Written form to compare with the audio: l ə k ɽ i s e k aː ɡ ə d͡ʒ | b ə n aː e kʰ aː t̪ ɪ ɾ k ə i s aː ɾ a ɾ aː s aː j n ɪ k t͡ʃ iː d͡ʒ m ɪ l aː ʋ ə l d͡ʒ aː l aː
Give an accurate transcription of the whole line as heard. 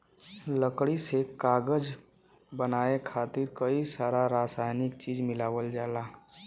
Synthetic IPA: l ə k ɽ i s e k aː ɡ ə d͡ʒ | b ə n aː e kʰ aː t̪ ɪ ɾ k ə i s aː ɾ a ɾ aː s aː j n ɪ k t͡ʃ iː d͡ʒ m ɪ l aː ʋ ə l d͡ʒ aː l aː